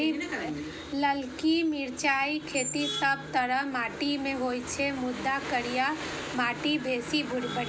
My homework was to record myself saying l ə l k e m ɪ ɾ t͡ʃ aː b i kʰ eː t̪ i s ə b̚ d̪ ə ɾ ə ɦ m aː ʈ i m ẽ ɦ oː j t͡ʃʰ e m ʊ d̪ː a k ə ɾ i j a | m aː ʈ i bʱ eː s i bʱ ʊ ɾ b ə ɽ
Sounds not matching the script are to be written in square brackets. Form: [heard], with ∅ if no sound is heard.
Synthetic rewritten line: l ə l k [i] m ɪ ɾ t͡ʃ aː [∅] i kʰ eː t̪ i s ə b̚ [t̪] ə ɾ ə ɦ m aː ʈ i m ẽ ɦ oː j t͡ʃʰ e m ʊ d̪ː a k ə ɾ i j a | m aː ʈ i bʱ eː s i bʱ ʊ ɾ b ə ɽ